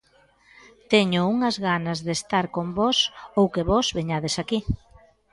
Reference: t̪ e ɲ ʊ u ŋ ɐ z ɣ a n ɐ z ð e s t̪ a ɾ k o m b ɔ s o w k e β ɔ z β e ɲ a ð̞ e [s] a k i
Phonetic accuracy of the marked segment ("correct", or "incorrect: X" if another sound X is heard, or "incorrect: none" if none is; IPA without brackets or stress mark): correct